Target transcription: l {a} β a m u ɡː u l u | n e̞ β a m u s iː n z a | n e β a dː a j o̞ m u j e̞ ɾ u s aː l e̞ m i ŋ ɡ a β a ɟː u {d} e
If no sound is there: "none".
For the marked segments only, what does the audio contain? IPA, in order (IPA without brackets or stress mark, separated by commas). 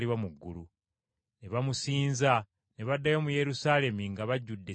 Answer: i, dː